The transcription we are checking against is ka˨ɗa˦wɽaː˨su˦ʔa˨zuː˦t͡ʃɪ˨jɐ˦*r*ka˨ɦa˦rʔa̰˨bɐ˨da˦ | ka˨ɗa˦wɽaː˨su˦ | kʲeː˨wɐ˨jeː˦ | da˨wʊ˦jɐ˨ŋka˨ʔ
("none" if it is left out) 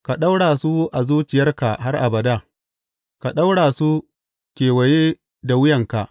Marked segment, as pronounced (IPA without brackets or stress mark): r